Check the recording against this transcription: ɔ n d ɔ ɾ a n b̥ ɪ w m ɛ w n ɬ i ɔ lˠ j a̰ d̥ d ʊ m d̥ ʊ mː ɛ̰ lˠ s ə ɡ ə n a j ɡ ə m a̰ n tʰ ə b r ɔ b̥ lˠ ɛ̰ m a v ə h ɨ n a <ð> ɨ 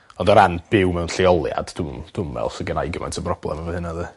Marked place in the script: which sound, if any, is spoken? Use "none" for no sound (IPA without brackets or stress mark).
ð